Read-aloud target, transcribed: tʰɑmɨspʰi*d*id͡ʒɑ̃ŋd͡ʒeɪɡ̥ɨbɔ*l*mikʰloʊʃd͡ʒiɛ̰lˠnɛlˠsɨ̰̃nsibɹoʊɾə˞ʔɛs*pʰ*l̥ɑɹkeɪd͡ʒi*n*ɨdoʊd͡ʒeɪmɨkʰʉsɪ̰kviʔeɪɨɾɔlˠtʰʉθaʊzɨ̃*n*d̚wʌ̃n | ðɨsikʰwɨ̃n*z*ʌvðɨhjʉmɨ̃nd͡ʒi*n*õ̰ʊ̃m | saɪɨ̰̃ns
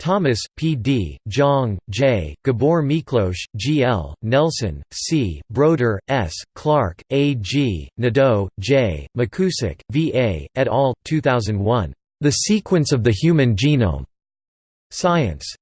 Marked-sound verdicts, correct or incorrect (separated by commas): correct, incorrect, incorrect, correct, correct, incorrect, correct